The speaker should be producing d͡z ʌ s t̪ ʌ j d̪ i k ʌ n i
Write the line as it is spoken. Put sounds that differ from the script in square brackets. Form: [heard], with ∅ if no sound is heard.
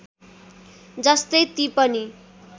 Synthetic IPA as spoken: d͡z ʌ s t̪ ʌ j [t̪] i [p] ʌ n i